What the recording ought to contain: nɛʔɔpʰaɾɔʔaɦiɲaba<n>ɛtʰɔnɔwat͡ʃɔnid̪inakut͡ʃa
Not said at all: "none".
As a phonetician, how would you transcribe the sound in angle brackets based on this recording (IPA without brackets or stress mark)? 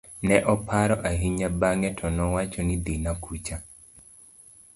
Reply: ŋ